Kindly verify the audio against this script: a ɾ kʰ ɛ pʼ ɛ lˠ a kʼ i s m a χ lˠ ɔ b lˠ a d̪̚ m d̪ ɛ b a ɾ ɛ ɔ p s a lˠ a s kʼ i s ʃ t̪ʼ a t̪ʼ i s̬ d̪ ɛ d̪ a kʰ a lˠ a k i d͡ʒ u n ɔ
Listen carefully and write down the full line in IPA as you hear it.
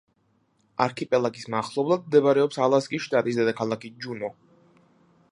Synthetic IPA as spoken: a ɾ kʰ i pʼ ɛ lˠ a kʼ i s m a χ lˠ ɔ b lˠ a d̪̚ m d̪ ɛ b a ɾ ɛ ɔ p s a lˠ a s kʼ i s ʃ t̪ʼ a t̪ʼ i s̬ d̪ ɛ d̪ a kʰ a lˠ a k i d͡ʒ u n ɔ